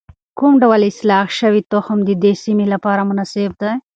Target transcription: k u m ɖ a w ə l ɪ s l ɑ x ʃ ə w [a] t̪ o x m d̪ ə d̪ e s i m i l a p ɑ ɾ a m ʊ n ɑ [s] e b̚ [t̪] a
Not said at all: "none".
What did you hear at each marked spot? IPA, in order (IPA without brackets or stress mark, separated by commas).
i, s, d̪